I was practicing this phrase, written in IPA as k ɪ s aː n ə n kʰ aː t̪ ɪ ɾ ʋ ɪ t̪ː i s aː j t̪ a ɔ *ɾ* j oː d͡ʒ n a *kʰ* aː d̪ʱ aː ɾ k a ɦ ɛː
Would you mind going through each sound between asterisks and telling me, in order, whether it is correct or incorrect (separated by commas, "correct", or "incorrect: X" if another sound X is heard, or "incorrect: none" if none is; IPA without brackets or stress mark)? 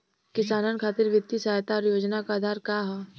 correct, incorrect: k